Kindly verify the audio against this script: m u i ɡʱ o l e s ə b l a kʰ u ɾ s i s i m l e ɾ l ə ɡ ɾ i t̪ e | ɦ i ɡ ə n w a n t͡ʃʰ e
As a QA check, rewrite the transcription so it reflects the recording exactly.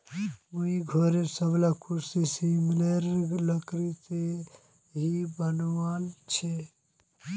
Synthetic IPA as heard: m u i ɡʱ o ɾ e s ə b l a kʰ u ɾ s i s i m l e ɾ l ə k ɾ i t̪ e | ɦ i b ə n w a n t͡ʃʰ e